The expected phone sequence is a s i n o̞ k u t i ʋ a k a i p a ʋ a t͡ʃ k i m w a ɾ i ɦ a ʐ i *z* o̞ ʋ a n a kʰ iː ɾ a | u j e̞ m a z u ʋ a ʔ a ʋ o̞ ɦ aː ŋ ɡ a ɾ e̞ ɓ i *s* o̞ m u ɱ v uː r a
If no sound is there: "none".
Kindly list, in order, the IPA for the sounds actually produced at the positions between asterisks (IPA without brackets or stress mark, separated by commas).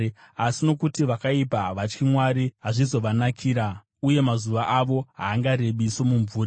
z, s